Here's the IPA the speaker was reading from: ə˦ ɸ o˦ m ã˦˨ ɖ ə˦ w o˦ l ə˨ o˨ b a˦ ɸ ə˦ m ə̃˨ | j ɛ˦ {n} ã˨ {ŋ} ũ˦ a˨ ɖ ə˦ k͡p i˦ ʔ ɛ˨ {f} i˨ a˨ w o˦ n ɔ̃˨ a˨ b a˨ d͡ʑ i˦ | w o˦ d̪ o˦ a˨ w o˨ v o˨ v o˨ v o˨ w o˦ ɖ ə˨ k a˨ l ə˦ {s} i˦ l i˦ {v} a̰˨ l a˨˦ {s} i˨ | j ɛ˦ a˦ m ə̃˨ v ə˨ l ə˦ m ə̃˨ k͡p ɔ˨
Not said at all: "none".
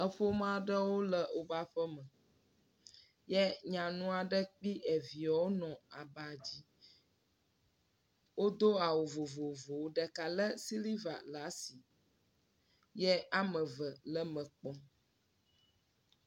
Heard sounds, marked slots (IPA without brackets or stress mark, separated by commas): ɲ, n, v, s, v, s